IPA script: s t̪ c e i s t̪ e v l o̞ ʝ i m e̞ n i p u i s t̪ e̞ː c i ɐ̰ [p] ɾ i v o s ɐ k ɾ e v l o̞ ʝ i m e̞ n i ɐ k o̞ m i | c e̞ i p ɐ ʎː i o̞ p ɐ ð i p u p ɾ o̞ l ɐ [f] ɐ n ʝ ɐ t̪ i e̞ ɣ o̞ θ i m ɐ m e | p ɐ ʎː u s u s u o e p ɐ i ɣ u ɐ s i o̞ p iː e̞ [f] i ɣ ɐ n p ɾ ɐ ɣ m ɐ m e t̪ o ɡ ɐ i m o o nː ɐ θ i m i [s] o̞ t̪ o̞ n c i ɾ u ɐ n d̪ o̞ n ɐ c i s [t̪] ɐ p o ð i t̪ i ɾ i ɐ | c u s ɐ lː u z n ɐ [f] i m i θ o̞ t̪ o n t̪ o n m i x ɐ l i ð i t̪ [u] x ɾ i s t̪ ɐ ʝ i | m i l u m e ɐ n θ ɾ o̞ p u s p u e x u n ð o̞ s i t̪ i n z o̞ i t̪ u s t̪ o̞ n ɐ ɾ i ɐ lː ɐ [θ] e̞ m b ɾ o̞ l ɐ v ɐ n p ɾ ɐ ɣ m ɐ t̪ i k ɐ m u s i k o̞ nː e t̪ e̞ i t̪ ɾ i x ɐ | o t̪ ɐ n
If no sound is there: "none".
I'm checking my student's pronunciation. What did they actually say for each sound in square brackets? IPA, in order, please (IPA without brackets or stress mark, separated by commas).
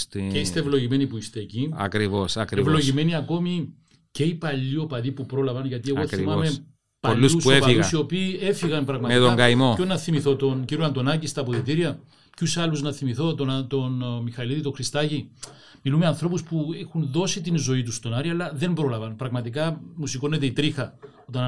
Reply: k, v, f, θ, t̪, θ, o, ð